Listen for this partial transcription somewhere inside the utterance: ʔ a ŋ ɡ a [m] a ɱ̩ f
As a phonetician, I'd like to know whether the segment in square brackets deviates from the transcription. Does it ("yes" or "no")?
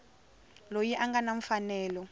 yes